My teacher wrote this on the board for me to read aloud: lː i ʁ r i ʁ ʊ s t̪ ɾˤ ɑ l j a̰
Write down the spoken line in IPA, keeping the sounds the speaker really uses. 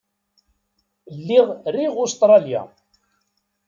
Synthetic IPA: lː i ʁ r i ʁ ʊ s t̪ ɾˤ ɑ l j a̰